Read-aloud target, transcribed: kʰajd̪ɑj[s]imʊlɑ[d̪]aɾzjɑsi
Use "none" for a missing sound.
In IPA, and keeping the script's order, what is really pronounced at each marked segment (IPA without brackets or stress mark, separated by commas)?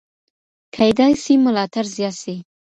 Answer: s, t̪